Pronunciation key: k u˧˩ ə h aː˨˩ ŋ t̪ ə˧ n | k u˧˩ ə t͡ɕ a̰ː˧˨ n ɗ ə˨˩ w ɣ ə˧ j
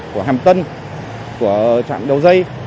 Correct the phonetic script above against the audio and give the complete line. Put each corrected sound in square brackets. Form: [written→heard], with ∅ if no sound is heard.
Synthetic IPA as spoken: k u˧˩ ə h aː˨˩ [ŋ→m] t̪ ə˧ n | k u˧˩ ə t͡ɕ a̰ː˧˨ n ɗ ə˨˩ w [ɣ→z] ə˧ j